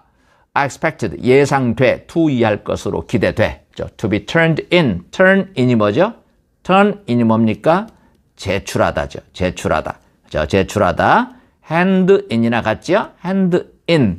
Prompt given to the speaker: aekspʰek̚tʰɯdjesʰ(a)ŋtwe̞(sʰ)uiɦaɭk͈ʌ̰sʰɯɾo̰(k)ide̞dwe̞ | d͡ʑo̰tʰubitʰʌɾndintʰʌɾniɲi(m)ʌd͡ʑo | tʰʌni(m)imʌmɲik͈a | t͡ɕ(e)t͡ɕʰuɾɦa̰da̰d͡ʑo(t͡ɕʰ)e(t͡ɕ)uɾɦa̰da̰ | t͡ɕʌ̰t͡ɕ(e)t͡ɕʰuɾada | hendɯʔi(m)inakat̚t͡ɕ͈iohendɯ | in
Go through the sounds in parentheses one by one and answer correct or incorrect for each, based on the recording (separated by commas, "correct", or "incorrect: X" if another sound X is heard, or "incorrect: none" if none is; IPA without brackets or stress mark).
correct, incorrect: tʰ, correct, correct, incorrect: ɲ, correct, incorrect: t͡ɕ, incorrect: t͡ɕʰ, correct, incorrect: ɲ